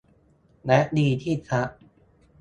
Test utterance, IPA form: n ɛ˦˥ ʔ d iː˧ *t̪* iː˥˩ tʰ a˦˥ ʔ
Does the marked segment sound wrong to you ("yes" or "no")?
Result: yes